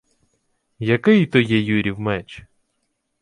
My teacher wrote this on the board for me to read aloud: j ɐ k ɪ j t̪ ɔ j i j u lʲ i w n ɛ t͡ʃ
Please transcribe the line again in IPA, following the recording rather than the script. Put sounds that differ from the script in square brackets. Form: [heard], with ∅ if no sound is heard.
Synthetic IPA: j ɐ k ɪ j t̪ ɔ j [ɛ] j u [ɾʲ] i w [m] ɛ t͡ʃ